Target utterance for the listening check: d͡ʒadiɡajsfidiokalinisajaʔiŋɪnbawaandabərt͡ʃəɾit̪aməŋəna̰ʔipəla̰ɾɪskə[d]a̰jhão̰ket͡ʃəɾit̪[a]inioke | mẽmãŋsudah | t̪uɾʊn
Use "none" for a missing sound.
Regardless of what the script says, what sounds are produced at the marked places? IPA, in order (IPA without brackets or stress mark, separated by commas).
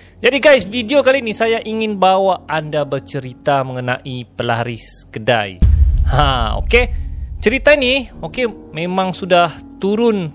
d, a